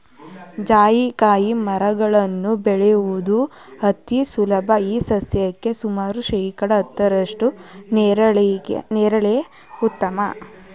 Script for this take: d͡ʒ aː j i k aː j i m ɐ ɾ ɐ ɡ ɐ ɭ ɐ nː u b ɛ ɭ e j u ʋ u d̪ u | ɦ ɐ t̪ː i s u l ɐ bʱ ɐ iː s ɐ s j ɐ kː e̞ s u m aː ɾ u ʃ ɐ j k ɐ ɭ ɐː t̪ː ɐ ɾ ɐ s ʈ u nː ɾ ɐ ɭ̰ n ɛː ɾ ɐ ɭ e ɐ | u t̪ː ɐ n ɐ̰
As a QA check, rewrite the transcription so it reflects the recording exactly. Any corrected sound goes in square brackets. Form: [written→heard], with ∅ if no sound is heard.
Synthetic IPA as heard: d͡ʒ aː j i k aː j i m ɐ ɾ ɐ ɡ ɐ ɭ ɐ nː u b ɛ ɭ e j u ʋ u d̪ u | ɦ ɐ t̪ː i s u l ɐ bʱ ɐ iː s ɐ s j ɐ kː e̞ s u m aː ɾ u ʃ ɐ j k ɐ [ɭ→ɽ] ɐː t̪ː ɐ ɾ ɐ [s→ʂ] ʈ u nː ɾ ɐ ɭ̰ n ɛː ɾ ɐ ɭ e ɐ | u t̪ː ɐ [n→m] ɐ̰

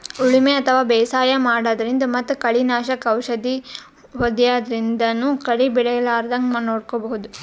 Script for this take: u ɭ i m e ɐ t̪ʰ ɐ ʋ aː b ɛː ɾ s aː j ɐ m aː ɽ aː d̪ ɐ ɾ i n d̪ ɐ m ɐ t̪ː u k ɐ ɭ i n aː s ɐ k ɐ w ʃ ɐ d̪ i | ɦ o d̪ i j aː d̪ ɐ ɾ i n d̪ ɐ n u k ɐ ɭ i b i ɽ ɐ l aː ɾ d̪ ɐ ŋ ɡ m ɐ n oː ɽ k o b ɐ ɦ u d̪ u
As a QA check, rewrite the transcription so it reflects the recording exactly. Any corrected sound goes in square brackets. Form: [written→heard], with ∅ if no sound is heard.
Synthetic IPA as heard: u ɭ i m e ɐ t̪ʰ ɐ ʋ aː b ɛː [ɾ→∅] s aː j ɐ m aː ɽ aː d̪ ɐ ɾ i n d̪ ɐ m ɐ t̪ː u k ɐ ɭ i n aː [s→ʃ] ɐ k ɐ w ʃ ɐ d̪ i | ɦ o d̪ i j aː d̪ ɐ ɾ i n d̪ ɐ n u k ɐ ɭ i b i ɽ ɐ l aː ɾ d̪ ɐ ŋ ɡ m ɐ n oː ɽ k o b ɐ ɦ u d̪ u

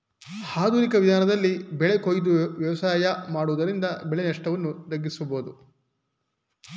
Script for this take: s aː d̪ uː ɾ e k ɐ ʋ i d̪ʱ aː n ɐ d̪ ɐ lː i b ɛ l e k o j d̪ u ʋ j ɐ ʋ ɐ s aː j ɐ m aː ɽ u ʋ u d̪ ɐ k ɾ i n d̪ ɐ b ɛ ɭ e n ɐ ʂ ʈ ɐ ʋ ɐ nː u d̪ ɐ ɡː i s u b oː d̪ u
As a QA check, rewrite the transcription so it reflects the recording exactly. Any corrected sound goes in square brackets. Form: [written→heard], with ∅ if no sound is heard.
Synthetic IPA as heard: [s→h] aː d̪ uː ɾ [e→i] k ɐ ʋ i d̪ʱ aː n ɐ d̪ ɐ lː i b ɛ [l→ɭ] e k o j d̪ u ʋ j ɐ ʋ ɐ s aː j ɐ m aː ɽ u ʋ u d̪ ɐ [k→∅] ɾ i n d̪ ɐ b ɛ ɭ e n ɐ ʂ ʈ ɐ ʋ ɐ nː u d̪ ɐ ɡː i s u b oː d̪ u

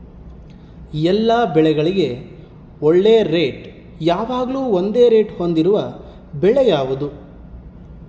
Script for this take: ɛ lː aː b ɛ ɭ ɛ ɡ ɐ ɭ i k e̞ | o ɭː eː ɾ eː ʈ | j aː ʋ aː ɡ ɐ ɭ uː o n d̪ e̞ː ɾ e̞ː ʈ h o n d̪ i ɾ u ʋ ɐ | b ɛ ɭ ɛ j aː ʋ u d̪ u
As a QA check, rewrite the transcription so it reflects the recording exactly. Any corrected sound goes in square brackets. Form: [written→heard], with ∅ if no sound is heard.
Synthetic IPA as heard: ɛ lː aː b ɛ ɭ ɛ ɡ ɐ ɭ i [k→ɡ] e̞ | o ɭː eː ɾ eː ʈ | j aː ʋ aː ɡ ɐ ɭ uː o n d̪ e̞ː ɾ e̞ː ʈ h o n d̪ i ɾ u ʋ ɐ | b ɛ ɭ ɛ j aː ʋ u d̪ u

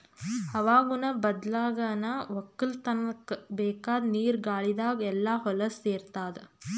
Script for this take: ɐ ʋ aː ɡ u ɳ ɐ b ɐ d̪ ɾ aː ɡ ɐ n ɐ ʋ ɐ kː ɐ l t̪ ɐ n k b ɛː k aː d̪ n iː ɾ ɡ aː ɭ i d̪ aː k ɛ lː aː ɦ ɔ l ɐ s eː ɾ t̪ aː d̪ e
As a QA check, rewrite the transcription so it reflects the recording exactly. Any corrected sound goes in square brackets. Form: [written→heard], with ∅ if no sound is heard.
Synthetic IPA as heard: ɐ ʋ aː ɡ u [ɳ→n] ɐ b ɐ d̪ [ɾ→l] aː ɡ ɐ n ɐ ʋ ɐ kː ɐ l t̪ ɐ n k b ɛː k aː d̪ n iː ɾ ɡ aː ɭ i d̪ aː [k→ɡ] ɛ lː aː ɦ ɔ l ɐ s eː ɾ t̪ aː d̪ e

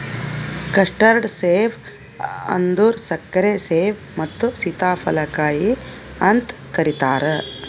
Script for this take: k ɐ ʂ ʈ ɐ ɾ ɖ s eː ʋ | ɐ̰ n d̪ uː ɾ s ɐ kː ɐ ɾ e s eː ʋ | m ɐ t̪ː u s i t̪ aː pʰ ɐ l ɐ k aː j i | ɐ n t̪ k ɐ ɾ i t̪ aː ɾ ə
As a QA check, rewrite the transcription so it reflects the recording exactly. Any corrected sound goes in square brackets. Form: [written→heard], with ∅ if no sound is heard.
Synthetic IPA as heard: k ɐ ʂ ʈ ɐ ɾ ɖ s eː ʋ | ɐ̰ n d̪ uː ɾ s ɐ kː ɐ ɾ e s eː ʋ | m ɐ t̪ː u s i t̪ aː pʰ ɐ l ɐ k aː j i | ɐ n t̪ k ɐ ɾ i t̪ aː ɾ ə

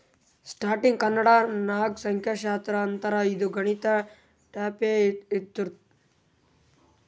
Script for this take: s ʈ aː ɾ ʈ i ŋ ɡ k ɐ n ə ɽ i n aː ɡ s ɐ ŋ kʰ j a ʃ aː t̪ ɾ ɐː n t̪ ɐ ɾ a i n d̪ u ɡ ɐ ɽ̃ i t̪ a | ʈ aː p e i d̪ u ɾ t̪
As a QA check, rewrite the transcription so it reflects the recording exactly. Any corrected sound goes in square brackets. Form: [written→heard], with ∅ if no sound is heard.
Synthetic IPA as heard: s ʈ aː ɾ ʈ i ŋ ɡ k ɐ n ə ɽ [i→a] n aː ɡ s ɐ ŋ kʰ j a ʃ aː t̪ ɾ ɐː n t̪ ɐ ɾ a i [n→∅] d̪ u ɡ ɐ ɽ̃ i t̪ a | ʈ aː p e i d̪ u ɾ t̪

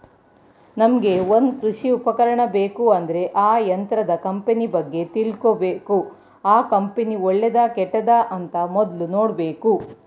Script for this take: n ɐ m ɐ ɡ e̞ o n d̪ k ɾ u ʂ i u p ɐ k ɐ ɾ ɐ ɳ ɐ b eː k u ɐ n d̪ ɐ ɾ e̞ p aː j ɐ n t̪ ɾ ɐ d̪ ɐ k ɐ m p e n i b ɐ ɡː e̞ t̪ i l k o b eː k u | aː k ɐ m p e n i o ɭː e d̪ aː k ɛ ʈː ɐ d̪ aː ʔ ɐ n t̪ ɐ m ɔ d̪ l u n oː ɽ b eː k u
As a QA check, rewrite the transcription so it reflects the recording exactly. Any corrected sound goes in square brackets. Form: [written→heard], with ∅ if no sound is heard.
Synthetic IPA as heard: n ɐ m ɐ ɡ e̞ o n d̪ k ɾ u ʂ i u p ɐ k ɐ ɾ ɐ ɳ ɐ b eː k u ɐ n d̪ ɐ ɾ e̞ [p→ʔ] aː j ɐ n t̪ ɾ ɐ d̪ ɐ k ɐ m p e n i b ɐ ɡː e̞ t̪ i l k o b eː k u | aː k ɐ m p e n i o ɭː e d̪ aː k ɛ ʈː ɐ d̪ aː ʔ ɐ n t̪ ɐ m ɔ d̪ l u n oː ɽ b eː k u

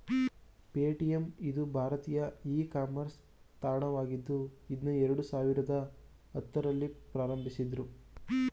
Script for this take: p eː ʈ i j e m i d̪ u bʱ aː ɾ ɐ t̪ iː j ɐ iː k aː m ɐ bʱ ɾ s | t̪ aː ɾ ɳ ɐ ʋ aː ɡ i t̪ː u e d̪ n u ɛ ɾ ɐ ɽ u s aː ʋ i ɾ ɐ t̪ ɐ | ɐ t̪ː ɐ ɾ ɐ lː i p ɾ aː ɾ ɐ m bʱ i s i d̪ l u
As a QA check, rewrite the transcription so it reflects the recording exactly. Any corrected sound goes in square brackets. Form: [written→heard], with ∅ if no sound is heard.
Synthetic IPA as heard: p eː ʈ i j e m i d̪ u bʱ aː ɾ ɐ t̪ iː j ɐ iː k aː m ɐ [bʱ→∅] ɾ s | t̪ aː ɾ ɳ ɐ ʋ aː ɡ i [t̪ː→d̪ː] u [e→i] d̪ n u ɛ ɾ ɐ ɽ u s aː ʋ i ɾ ɐ [t̪→d̪] ɐ | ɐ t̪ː ɐ ɾ ɐ lː i p ɾ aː ɾ ɐ m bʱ i s i d̪ [l→ɾ] u

